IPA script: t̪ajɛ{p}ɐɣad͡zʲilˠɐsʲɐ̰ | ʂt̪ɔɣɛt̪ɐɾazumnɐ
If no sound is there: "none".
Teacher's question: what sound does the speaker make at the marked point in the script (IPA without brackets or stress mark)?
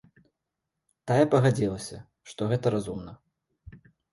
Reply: p